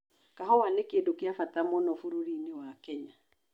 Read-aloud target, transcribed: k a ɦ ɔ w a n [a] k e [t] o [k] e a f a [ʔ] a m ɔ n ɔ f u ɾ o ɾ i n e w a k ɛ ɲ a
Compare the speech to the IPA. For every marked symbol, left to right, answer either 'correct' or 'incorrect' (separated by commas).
incorrect, incorrect, correct, incorrect